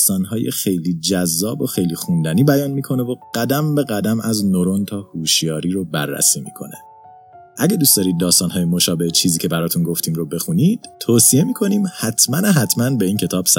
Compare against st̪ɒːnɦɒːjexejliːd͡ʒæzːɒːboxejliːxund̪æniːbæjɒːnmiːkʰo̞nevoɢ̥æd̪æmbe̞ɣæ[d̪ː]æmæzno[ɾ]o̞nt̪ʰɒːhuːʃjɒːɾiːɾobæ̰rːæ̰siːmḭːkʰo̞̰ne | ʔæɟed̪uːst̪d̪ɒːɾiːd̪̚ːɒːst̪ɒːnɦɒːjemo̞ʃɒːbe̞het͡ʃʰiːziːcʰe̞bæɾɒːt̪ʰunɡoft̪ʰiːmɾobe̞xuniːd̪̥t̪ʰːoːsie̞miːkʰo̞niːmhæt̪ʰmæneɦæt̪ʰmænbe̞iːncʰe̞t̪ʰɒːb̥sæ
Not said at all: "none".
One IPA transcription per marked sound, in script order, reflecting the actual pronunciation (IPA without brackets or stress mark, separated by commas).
d̪, ɾ